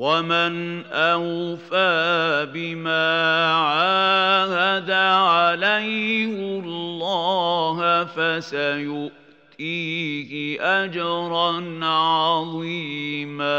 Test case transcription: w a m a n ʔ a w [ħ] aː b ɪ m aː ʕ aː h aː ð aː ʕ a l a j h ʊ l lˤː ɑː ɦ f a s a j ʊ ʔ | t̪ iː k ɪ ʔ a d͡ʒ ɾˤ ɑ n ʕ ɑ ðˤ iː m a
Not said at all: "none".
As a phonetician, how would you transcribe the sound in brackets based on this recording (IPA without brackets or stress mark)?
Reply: f